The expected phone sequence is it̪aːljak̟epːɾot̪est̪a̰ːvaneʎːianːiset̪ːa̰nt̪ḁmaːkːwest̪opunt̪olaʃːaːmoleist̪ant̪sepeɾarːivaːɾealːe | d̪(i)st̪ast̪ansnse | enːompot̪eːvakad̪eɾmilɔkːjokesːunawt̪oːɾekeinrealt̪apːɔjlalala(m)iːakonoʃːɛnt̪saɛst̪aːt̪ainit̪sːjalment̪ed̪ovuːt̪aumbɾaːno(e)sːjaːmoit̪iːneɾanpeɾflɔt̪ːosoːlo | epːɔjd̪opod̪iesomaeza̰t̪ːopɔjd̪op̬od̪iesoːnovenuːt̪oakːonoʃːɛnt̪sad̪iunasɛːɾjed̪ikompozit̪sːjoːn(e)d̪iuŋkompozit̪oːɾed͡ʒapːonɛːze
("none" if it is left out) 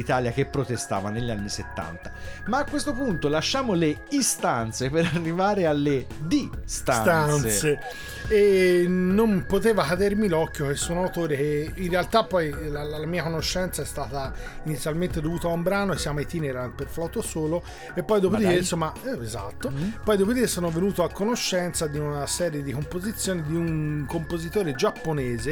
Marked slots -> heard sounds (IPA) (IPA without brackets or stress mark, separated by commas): i, m, e, i